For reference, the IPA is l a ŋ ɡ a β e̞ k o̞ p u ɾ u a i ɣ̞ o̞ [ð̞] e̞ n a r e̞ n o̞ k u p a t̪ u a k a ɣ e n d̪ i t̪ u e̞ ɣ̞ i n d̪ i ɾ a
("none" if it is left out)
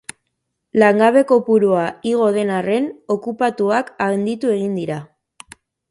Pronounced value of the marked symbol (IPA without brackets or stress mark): ð̞